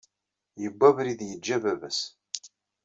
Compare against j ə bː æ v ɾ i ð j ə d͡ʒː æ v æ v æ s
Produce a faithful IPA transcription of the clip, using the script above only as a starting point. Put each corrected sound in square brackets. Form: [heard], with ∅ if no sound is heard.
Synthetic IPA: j ə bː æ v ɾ i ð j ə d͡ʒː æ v æ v æ s